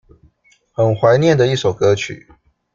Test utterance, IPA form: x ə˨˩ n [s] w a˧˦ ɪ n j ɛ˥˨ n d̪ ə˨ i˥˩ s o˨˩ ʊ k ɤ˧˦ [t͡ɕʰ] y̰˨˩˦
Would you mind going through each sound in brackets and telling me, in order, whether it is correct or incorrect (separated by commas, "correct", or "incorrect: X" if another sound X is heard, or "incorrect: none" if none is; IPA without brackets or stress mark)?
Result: incorrect: x, correct